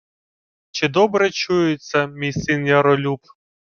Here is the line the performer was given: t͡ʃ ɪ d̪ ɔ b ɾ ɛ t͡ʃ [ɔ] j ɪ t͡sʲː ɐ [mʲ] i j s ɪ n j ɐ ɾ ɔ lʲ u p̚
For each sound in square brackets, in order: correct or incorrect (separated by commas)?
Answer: incorrect, correct